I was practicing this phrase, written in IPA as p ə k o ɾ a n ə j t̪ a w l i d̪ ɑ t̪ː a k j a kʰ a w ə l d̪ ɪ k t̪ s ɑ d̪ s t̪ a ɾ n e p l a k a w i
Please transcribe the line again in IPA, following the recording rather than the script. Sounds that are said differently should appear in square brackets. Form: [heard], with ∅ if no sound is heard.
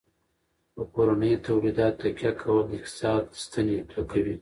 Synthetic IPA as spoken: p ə k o ɾ a n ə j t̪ a w l i d̪ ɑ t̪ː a k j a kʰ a w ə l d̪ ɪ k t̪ s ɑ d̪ s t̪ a [∅] n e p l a k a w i